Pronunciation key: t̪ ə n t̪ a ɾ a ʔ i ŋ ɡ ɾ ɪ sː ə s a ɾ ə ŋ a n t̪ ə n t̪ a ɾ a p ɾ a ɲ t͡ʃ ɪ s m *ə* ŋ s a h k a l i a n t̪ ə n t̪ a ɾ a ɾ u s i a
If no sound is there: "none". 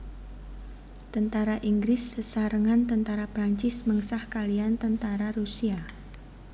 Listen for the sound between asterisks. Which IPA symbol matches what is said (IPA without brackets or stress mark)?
ə